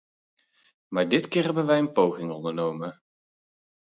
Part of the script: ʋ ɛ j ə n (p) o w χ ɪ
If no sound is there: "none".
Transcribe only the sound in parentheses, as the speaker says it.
p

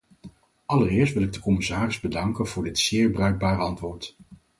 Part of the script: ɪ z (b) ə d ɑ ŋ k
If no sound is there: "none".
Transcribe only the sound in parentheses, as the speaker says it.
b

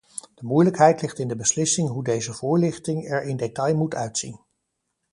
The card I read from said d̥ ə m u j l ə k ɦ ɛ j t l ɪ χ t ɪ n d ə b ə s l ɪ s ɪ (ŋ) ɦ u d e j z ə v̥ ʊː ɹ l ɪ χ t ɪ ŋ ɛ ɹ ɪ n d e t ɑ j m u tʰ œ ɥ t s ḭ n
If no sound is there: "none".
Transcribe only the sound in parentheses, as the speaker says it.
ŋ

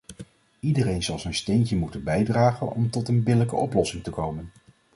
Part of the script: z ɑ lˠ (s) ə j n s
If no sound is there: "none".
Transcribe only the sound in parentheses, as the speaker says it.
z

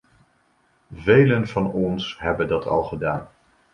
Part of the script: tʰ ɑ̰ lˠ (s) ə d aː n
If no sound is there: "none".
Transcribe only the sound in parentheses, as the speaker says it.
χ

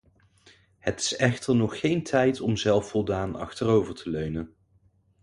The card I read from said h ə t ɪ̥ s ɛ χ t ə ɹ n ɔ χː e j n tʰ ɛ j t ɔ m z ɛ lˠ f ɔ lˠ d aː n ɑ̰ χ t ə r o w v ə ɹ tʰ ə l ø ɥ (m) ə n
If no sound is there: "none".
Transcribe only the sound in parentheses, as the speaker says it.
n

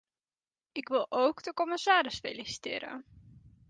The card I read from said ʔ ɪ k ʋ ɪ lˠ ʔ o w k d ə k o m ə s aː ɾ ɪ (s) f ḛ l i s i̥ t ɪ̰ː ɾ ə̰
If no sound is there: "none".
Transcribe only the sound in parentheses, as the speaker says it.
s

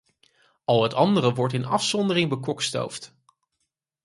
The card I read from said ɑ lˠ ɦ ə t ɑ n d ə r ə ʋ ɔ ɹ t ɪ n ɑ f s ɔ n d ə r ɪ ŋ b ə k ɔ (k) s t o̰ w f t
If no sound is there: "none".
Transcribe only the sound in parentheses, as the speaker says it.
k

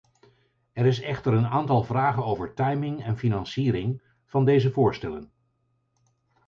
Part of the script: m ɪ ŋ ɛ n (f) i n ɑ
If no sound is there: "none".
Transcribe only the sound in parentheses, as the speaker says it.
f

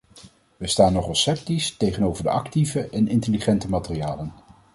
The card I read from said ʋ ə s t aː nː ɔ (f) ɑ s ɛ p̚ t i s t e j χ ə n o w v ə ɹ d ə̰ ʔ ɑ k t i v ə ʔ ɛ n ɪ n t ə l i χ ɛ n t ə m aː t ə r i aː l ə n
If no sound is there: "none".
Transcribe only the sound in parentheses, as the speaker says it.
χ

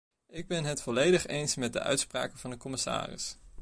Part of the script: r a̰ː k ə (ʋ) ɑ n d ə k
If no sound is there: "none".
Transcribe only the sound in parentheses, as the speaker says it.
v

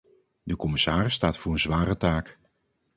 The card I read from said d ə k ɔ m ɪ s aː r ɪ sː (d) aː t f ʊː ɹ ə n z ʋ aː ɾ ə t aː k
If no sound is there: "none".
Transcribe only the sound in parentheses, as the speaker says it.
t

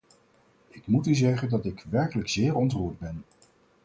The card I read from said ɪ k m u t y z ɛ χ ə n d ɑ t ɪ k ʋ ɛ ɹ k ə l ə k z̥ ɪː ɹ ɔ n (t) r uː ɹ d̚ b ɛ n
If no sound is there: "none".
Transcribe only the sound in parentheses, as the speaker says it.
t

